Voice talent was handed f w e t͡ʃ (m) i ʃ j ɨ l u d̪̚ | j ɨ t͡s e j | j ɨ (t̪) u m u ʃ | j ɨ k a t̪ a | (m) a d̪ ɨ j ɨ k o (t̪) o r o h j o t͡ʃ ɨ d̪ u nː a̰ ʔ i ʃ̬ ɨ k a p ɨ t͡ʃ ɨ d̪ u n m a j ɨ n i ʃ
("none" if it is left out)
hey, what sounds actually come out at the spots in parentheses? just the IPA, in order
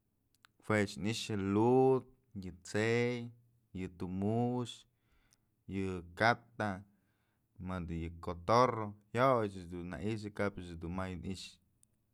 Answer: n, t̪, m, t̪

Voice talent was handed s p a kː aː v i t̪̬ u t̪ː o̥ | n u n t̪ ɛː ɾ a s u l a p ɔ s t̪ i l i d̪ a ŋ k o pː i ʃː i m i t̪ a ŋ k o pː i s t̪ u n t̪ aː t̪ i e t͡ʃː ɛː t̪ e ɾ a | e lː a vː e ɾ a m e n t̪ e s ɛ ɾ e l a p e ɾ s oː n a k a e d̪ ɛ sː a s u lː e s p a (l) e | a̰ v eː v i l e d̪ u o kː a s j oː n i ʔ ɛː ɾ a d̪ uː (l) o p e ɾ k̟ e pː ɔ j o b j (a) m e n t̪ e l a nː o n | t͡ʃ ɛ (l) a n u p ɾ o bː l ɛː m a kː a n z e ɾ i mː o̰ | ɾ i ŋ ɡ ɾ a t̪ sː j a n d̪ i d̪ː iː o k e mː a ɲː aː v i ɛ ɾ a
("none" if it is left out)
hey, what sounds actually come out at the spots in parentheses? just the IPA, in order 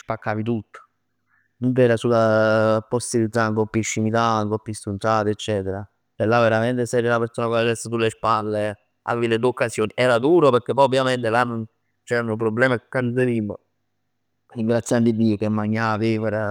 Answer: lː, ɾ, a, ɾ

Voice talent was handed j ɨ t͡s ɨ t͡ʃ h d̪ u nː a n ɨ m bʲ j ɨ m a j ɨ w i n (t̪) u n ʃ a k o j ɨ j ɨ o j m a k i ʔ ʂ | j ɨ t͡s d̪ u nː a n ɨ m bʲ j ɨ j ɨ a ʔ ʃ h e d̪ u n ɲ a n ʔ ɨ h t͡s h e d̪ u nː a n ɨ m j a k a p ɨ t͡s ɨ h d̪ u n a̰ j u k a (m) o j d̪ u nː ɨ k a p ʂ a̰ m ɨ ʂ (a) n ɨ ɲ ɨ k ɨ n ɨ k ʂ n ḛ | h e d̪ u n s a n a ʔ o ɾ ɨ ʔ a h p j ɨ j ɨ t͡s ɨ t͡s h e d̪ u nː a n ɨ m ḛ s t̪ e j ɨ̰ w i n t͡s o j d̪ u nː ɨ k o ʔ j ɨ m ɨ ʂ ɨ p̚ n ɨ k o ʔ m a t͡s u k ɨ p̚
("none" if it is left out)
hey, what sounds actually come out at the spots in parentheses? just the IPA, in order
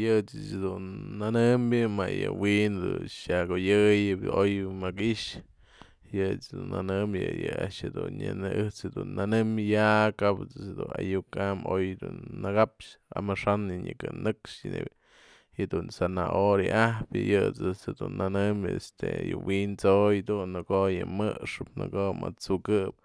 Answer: d̪, m, a

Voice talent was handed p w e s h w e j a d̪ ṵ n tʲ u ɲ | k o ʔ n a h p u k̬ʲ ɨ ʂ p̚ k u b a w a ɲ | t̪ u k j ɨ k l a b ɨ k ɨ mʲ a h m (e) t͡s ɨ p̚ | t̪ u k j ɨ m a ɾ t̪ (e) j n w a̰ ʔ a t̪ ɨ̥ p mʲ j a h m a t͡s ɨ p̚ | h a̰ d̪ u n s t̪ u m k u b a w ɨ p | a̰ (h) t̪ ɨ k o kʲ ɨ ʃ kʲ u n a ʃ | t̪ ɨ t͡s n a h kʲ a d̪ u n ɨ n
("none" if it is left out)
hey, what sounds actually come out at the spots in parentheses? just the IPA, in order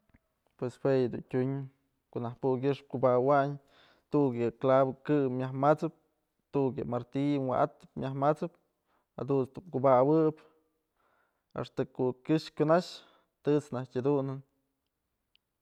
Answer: a, i, ʂ

